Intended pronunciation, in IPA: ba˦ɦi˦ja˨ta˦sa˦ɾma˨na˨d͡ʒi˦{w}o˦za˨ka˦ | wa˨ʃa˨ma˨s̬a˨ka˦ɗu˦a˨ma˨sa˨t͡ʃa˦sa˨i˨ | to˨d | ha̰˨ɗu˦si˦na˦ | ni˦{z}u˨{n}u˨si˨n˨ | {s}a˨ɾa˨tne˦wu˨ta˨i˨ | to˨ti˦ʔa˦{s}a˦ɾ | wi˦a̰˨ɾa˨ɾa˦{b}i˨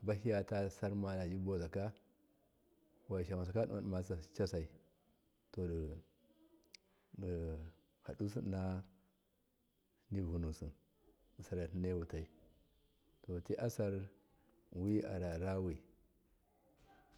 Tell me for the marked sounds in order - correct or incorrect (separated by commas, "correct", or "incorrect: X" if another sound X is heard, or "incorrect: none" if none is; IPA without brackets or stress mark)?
incorrect: b, incorrect: v, correct, correct, correct, incorrect: w